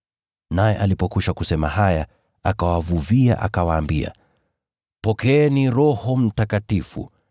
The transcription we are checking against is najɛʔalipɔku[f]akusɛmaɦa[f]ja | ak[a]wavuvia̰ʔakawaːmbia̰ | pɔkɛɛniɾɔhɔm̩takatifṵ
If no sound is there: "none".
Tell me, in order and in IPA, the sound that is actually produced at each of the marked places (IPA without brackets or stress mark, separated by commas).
ʃ, none, a